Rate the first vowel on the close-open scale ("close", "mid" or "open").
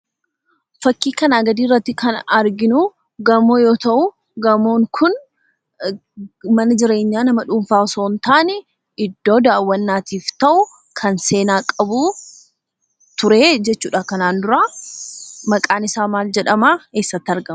open